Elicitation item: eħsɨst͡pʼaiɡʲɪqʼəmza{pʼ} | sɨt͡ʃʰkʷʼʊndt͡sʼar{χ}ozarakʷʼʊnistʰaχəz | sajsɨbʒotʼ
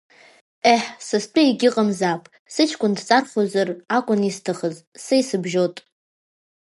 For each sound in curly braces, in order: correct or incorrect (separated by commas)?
correct, correct